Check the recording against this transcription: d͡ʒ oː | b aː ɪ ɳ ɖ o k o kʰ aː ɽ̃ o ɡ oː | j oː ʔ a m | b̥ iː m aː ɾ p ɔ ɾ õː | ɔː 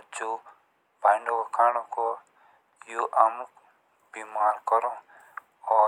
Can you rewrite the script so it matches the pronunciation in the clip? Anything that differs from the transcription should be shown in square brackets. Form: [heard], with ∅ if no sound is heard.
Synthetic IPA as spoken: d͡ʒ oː | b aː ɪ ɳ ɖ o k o kʰ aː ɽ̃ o [k] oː | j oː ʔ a m | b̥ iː m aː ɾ [k] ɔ ɾ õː | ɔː